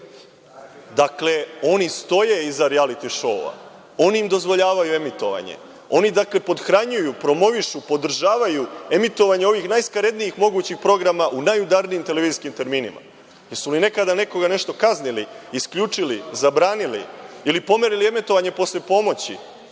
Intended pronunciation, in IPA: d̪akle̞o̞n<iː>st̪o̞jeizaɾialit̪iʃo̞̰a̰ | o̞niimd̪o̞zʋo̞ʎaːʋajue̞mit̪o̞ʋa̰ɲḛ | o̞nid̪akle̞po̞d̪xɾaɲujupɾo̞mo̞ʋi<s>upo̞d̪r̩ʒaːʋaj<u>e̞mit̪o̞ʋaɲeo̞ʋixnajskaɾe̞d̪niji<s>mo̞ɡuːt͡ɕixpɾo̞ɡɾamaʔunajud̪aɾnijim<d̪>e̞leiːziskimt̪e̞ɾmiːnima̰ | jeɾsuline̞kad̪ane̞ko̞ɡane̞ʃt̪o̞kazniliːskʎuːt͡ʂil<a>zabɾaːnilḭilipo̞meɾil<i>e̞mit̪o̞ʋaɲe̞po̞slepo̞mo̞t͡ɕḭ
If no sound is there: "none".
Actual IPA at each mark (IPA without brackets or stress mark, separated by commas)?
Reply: i, ʃ, u, x, t̪, i, i